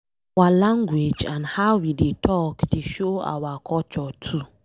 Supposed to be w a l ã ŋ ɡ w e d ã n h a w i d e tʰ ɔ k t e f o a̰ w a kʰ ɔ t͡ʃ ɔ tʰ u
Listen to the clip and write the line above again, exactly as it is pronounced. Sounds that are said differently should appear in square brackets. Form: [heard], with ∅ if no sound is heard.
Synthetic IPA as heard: w a l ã ŋ ɡ w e [d͡ʒ] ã n h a w i d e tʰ ɔ k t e [ʃ] o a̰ w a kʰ ɔ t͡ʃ ɔ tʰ u